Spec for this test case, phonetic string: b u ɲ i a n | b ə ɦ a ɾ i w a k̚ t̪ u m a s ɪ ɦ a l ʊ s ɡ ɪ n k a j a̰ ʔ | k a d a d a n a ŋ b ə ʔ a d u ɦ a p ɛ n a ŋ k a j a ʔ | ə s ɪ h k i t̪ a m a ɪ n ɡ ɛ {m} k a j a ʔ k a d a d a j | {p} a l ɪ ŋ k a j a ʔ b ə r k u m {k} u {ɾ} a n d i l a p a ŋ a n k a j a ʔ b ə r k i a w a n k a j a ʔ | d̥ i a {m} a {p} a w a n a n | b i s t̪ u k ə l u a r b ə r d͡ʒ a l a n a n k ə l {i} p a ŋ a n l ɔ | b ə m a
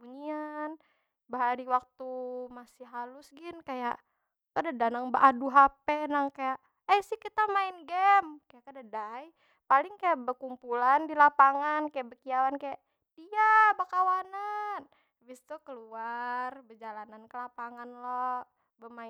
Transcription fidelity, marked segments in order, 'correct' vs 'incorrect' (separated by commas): correct, correct, incorrect, incorrect, incorrect, incorrect, incorrect